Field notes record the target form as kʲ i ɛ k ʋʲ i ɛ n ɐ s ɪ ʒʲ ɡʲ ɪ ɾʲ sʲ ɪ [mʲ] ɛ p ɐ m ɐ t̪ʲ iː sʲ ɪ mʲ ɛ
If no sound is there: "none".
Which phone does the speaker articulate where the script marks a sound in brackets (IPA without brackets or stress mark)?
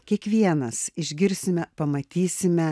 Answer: mʲ